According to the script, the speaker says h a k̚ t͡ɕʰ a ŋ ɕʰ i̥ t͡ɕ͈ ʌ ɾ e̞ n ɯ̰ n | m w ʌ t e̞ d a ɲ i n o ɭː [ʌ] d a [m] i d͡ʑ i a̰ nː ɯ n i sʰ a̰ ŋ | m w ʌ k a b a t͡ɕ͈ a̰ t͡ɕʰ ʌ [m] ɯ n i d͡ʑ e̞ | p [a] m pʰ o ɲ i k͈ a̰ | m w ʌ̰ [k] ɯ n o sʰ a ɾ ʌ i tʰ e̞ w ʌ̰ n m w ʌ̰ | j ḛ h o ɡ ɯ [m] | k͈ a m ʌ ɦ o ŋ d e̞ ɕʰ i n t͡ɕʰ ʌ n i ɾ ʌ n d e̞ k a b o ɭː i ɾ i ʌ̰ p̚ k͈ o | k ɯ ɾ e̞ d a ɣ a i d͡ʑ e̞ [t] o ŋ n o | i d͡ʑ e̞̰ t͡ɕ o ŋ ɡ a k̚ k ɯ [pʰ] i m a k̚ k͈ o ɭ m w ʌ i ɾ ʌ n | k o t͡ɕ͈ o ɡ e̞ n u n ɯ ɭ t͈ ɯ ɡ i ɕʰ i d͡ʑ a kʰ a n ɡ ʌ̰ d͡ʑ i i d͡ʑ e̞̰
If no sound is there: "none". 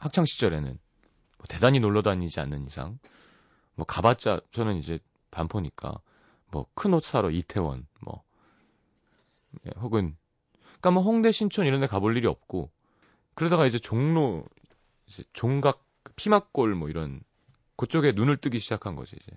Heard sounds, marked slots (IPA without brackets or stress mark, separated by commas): ʌ, ɲ, n, a, kʰ, n, t͡ɕ, pʰ